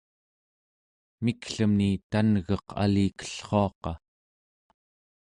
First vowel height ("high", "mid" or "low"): high